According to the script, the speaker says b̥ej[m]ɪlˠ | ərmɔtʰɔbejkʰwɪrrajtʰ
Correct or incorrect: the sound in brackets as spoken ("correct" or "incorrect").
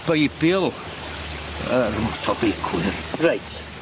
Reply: incorrect